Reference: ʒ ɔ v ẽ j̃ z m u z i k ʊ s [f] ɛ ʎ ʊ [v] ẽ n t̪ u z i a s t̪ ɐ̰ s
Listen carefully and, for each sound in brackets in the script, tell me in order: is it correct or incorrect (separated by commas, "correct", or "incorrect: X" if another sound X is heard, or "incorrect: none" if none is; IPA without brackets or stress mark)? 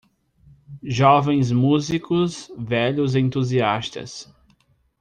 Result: incorrect: v, incorrect: z